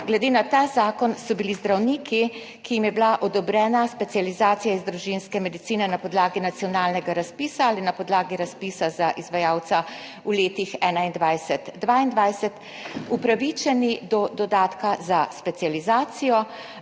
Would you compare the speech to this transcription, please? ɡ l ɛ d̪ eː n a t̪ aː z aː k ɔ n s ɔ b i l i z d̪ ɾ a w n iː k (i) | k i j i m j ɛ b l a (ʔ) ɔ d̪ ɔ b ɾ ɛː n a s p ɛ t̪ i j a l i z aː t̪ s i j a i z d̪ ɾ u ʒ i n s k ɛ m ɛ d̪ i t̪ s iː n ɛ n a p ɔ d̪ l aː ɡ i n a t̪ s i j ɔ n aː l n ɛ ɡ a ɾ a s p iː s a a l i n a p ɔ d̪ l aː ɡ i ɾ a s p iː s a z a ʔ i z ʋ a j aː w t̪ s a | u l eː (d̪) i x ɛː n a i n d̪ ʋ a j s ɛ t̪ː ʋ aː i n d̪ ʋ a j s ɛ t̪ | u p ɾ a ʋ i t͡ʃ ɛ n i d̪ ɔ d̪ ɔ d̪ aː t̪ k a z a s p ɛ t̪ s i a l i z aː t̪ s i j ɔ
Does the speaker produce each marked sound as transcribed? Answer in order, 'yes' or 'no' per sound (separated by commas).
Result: yes, yes, no